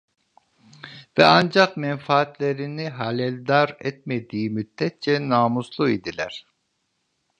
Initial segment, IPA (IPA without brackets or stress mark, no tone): v